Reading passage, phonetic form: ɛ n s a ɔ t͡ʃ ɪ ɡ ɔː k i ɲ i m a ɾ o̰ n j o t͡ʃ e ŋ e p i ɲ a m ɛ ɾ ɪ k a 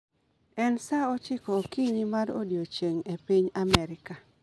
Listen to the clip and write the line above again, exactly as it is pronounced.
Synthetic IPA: ɛ n s a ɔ t͡ʃ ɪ k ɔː k i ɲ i m a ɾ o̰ d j o t͡ʃ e ŋ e p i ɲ a m ɛ ɾ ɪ k a